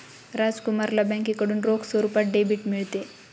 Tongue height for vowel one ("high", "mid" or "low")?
low